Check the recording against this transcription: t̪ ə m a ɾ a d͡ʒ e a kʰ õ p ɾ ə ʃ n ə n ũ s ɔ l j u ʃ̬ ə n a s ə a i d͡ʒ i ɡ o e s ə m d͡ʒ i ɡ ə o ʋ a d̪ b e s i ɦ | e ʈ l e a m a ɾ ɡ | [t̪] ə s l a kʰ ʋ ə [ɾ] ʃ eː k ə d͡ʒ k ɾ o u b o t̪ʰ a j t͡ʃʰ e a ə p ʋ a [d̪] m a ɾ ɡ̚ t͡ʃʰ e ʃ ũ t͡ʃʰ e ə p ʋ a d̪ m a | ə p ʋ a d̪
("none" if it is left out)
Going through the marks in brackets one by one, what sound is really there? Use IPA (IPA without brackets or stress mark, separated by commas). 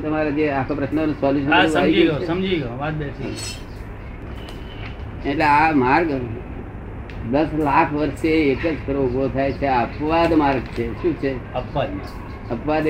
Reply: d̪, ɾ, d̪